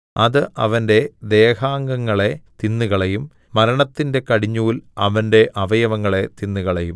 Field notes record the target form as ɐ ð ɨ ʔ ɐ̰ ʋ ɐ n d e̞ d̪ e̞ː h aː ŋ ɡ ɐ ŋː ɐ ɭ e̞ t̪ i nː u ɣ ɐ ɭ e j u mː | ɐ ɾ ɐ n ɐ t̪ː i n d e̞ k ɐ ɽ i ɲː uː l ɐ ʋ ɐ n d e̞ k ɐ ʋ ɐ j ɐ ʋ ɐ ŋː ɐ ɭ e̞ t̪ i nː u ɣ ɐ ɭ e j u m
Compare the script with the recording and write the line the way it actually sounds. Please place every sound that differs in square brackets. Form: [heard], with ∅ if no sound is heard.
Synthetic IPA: ɐ ð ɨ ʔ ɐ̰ ʋ ɐ n d e̞ d̪ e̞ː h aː ŋ ɡ ɐ ŋː ɐ ɭ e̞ t̪ i nː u ɣ ɐ ɭ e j u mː | ɐ ɾ ɐ [ɳ] ɐ t̪ː i n d e̞ k ɐ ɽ i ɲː uː l ɐ ʋ ɐ n d e̞ [ʔ] ɐ ʋ ɐ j ɐ ʋ ɐ ŋː ɐ ɭ e̞ t̪ i nː u ɣ ɐ ɭ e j u m